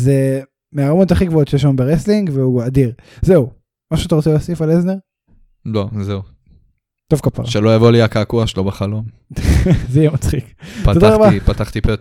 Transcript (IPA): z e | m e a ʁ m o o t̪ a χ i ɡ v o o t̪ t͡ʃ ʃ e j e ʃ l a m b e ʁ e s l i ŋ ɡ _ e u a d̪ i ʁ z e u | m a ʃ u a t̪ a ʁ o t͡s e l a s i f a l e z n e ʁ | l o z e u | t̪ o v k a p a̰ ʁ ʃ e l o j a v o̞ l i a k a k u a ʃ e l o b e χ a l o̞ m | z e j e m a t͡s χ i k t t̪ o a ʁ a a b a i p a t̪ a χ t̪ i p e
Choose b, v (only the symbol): v